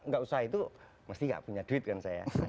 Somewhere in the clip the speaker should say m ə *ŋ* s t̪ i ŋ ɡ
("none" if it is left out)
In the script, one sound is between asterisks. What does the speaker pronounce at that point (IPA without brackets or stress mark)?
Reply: none